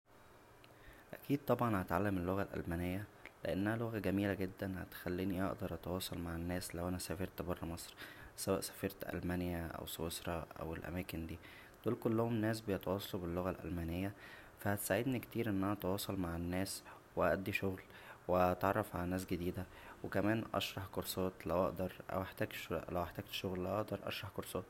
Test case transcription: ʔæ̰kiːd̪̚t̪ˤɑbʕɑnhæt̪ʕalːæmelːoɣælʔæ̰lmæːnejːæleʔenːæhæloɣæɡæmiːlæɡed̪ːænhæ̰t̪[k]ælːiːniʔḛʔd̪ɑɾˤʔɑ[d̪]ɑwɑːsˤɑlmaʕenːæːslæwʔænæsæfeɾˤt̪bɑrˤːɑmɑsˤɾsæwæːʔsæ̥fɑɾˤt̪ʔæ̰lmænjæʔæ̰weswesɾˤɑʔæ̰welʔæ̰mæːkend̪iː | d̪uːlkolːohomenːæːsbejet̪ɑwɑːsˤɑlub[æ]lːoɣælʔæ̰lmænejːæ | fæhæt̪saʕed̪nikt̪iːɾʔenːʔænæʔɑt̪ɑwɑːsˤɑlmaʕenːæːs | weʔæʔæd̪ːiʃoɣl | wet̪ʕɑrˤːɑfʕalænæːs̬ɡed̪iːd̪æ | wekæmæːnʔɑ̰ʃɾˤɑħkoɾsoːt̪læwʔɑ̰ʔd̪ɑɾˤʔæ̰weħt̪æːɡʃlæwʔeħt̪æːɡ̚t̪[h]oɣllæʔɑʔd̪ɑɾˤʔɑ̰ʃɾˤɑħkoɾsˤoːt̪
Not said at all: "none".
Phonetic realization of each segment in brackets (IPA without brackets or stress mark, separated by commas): x, t̪, e, ʃ